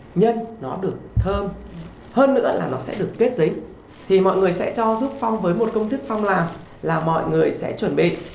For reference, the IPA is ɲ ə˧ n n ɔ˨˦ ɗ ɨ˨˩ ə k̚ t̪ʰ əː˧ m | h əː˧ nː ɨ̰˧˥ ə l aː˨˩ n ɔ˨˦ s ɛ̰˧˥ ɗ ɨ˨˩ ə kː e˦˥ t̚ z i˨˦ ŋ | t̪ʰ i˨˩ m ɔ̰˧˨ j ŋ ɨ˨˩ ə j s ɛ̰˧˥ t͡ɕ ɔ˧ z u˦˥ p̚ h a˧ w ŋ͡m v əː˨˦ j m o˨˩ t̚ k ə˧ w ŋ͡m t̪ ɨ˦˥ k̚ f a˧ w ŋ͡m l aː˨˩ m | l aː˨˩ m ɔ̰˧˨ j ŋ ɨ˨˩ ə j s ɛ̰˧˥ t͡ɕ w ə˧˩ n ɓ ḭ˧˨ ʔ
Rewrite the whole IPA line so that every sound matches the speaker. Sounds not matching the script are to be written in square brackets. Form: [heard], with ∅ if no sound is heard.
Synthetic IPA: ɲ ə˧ n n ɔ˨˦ ɗ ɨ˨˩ ə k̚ t̪ʰ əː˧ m | h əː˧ nː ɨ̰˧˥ ə l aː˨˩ n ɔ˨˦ s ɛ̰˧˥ ɗ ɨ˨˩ ə kː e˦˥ t̚ z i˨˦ ŋ | t̪ʰ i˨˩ m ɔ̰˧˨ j ŋ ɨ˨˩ ə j s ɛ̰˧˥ t͡ɕ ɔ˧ z u˦˥ p̚ [f] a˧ w ŋ͡m v əː˨˦ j m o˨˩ t̚ k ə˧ w ŋ͡m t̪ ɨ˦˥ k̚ f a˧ w ŋ͡m l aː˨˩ m | l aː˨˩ m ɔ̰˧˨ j ŋ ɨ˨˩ ə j s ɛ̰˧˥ t͡ɕ w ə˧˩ n ɓ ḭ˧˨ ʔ